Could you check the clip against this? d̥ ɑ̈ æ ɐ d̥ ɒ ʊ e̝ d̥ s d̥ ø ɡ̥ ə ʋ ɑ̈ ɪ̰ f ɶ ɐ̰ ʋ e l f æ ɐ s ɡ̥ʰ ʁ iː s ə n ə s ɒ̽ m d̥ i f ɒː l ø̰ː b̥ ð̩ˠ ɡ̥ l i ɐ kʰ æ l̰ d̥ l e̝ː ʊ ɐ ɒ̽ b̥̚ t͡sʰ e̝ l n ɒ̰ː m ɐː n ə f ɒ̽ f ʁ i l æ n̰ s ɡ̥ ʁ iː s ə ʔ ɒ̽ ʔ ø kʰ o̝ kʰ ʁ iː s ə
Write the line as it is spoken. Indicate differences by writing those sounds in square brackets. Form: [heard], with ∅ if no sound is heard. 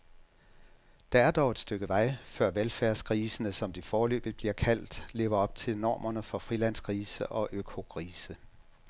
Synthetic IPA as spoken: d̥ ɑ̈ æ ɐ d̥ ɒ ʊ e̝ d̥ s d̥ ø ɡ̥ ə ʋ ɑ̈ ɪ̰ f ɶ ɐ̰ ʋ e l f æ ɐ s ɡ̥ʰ ʁ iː s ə n ə s ɒ̽ m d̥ i f ɒː l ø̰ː b̥ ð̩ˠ [b̥] l i ɐ kʰ æ l̰ d̥ l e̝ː ʊ ɐ ɒ̽ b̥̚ t͡sʰ e̝ l n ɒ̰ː m [ɐ] n ə f ɒ̽ f ʁ i l æ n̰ s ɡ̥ ʁ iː s ə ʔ ɒ̽ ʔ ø kʰ o̝ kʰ ʁ iː s ə